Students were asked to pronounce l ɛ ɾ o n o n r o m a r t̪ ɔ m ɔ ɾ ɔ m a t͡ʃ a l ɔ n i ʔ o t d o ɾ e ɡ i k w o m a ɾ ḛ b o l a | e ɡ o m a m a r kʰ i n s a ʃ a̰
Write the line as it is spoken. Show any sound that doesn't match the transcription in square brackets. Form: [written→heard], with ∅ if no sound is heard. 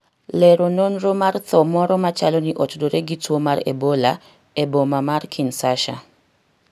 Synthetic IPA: l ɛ ɾ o n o n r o m a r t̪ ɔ m ɔ ɾ ɔ m a t͡ʃ a l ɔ n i ʔ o t d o ɾ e ɡ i [k→t] w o m a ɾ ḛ b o l a | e [ɡ→b] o m a m a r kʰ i n s a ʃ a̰